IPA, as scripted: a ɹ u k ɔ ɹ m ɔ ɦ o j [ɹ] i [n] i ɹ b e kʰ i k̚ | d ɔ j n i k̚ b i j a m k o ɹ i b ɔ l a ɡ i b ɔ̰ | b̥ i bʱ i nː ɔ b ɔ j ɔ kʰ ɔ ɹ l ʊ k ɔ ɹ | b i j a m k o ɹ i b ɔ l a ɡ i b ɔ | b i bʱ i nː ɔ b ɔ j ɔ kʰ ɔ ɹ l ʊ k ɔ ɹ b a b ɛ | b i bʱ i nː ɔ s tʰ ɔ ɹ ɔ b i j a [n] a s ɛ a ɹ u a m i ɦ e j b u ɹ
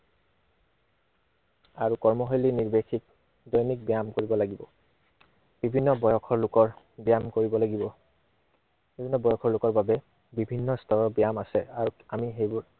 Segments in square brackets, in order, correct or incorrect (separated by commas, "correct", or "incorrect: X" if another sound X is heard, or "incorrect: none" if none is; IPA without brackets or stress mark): incorrect: l, correct, incorrect: m